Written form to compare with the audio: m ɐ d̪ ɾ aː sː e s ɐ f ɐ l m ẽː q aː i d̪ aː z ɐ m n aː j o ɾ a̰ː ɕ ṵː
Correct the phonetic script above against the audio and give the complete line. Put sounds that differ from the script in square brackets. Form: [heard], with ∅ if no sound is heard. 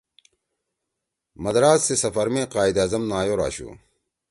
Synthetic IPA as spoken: m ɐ d̪ ɾ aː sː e s ɐ f ɐ [ɾ] m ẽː q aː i d̪ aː z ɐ m n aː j o ɾ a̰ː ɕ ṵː